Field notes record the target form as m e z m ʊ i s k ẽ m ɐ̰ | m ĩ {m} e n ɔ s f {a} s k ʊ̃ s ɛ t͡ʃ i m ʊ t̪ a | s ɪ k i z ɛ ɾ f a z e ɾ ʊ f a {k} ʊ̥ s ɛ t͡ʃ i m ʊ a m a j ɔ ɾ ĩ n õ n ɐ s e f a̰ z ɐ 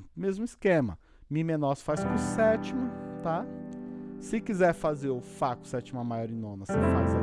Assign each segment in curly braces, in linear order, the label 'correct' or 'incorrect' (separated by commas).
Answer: correct, correct, correct